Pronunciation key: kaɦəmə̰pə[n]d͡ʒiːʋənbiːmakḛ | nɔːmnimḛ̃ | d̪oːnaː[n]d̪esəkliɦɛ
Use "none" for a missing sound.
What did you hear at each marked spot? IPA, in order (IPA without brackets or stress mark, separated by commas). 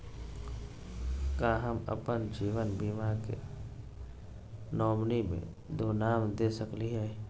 n, m